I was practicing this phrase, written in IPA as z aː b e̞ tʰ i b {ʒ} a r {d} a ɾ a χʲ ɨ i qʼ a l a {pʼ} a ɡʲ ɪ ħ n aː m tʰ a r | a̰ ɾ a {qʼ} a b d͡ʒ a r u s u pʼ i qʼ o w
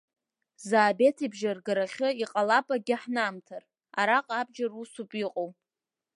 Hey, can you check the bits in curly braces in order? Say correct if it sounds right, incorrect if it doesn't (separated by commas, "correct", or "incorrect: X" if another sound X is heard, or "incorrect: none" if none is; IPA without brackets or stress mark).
correct, incorrect: ɡ, correct, correct